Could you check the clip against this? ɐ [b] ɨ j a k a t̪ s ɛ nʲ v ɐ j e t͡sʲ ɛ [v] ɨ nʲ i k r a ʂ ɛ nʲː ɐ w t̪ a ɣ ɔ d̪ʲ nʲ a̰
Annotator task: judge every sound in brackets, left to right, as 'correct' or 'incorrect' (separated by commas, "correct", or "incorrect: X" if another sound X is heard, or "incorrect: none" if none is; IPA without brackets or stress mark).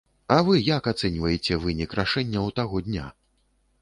incorrect: v, correct